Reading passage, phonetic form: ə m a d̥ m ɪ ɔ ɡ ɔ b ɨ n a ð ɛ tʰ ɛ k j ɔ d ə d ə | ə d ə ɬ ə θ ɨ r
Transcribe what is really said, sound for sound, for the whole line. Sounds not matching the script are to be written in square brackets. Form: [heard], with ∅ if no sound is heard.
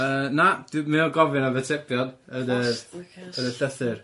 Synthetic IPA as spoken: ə [n] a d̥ m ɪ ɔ ɡ ɔ [v] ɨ n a [v] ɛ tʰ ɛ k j ɔ d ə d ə | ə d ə ɬ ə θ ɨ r